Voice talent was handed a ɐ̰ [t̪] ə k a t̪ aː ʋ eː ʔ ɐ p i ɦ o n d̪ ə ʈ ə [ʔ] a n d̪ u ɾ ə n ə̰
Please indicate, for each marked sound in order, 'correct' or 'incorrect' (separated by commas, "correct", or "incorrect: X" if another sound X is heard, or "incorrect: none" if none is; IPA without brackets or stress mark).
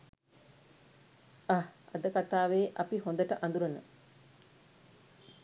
incorrect: d̪, correct